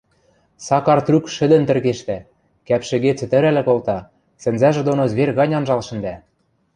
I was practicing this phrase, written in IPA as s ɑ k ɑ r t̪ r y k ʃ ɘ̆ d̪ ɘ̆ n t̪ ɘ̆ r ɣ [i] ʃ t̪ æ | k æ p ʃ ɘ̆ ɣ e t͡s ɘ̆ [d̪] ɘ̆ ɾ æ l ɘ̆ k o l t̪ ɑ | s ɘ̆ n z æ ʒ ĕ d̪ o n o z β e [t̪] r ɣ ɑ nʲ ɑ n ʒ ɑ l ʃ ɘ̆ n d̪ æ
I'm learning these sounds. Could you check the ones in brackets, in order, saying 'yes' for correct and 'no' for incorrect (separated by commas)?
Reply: no, no, no